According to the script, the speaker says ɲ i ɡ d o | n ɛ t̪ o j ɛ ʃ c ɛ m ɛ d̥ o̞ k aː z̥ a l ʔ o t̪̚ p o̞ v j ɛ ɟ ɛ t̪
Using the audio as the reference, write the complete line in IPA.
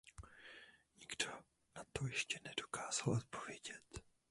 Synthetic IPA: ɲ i ɡ d o | n a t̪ o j ɛ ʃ c ɛ n ɛ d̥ o̞ k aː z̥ a l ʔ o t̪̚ p o̞ v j ɛ ɟ ɛ t̪